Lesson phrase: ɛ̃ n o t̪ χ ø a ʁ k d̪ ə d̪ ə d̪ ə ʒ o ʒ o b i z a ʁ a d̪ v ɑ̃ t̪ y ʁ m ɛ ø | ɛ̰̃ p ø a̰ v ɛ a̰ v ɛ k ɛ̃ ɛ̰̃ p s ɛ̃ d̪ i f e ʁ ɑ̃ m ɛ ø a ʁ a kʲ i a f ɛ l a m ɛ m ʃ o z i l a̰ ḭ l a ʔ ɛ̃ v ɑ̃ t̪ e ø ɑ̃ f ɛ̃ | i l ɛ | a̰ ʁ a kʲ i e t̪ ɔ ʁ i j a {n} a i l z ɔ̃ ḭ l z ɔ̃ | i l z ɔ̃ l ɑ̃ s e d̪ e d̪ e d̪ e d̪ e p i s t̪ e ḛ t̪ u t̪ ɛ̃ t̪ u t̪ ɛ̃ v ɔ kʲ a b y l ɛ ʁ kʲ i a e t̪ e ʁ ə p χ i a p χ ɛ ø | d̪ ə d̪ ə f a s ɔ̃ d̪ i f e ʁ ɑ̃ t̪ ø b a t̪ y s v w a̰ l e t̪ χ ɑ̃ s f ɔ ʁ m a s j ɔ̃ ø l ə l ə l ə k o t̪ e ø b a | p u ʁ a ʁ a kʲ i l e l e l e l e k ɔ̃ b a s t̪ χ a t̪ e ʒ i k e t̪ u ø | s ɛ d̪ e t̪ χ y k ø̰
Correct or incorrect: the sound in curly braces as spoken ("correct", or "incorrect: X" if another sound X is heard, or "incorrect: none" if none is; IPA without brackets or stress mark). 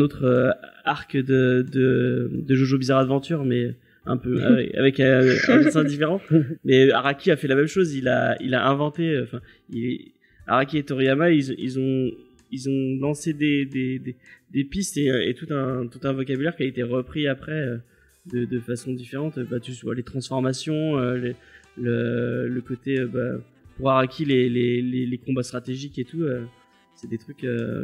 incorrect: m